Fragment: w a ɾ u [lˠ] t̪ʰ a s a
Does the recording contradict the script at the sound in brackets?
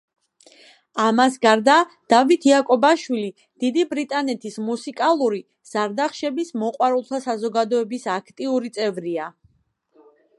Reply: no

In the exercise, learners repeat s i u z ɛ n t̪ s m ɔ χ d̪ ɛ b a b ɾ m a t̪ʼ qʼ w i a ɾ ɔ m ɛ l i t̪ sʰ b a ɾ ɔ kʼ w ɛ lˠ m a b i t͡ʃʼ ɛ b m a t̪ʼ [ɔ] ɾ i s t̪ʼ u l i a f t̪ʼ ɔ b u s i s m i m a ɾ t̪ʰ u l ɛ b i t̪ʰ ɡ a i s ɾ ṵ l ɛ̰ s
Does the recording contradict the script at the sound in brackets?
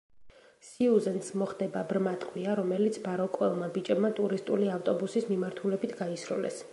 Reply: yes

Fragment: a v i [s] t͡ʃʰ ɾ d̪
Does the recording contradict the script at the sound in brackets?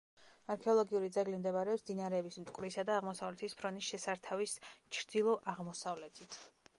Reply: no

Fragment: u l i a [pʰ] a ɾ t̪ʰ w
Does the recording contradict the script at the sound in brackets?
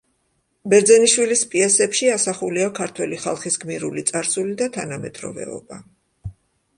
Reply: yes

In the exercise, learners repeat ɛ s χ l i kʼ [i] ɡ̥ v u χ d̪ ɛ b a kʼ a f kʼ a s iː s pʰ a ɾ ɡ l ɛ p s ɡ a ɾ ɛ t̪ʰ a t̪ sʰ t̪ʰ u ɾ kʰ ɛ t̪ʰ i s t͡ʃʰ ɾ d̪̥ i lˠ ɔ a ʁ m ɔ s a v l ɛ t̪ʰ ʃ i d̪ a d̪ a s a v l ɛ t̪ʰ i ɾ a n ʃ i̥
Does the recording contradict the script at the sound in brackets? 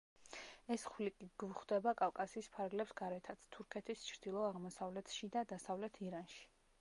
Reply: no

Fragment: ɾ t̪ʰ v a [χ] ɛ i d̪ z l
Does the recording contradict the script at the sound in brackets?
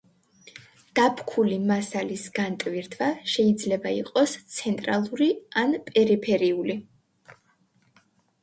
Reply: yes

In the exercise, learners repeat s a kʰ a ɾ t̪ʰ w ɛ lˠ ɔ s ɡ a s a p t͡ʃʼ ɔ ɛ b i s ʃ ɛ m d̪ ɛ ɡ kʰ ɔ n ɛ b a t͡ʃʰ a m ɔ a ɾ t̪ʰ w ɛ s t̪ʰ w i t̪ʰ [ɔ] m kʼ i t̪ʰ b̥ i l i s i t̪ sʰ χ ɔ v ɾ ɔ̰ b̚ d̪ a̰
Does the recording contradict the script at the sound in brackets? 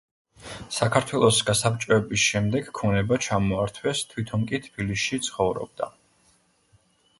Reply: no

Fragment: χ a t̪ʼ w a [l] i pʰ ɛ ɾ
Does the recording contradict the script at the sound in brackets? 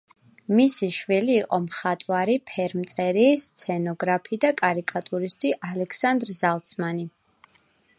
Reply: yes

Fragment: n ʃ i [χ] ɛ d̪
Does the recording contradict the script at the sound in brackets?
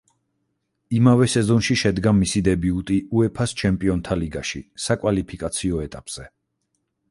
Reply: yes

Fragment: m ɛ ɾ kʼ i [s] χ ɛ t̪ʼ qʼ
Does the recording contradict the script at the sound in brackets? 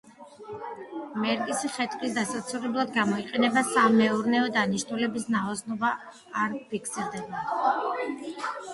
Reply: no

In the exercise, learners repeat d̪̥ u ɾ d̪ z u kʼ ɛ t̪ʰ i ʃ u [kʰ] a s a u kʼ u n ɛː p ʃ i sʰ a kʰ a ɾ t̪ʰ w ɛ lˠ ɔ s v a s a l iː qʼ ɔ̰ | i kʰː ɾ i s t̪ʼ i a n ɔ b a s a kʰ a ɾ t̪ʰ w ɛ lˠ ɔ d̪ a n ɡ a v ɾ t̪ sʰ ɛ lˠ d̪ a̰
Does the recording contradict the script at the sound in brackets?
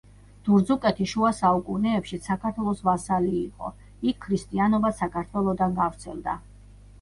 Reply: yes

